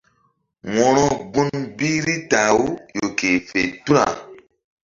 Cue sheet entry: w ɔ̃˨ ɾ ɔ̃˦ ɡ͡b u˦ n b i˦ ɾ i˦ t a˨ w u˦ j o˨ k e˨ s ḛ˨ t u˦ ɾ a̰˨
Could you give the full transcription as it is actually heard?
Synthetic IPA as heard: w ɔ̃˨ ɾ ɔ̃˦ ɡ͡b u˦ n b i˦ ɾ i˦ t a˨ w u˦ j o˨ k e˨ f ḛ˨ t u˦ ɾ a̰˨

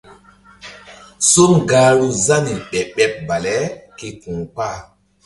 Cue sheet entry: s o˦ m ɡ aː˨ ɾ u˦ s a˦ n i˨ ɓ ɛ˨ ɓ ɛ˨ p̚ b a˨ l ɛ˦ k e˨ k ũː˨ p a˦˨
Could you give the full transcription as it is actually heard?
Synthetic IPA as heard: s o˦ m ɡ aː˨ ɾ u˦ z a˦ n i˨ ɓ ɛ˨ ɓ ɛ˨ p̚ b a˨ l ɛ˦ k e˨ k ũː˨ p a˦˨

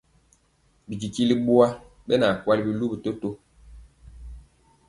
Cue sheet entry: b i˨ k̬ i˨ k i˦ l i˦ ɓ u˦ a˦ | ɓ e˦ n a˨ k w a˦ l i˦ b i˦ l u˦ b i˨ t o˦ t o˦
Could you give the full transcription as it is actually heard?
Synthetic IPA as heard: b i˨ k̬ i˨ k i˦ l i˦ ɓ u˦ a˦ | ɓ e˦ n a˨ k w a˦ l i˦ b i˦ l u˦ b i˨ t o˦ t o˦

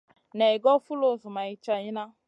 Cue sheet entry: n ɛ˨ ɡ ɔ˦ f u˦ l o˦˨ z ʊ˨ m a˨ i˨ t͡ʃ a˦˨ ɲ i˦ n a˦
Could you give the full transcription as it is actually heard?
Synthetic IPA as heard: n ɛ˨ ɡ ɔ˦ f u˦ l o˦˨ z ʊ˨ m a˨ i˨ t͡ʃ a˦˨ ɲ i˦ n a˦

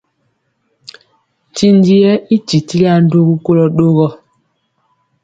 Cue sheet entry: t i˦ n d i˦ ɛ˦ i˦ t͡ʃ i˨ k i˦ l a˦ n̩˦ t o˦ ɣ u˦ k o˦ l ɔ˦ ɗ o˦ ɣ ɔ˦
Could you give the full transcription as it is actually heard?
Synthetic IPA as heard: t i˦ n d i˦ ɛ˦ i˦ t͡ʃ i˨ t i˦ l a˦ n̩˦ d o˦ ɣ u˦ k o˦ l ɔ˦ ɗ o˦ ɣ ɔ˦

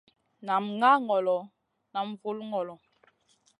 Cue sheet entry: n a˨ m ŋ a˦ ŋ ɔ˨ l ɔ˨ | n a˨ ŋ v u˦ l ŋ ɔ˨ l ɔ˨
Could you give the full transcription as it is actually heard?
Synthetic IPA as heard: n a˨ m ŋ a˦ ŋ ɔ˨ l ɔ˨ | n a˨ m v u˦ l ŋ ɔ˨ l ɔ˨

